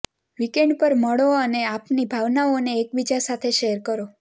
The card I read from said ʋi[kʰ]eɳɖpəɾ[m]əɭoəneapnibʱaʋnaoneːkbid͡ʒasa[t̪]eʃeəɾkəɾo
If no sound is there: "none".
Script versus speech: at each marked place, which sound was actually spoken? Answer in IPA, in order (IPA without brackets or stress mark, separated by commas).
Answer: k, m, t̪ʰ